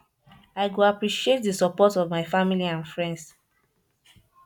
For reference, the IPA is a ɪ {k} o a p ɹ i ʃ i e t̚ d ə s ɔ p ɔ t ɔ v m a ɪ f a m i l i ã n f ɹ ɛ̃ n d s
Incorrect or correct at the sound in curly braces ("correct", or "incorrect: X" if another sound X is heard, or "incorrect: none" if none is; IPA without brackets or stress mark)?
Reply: incorrect: ɡ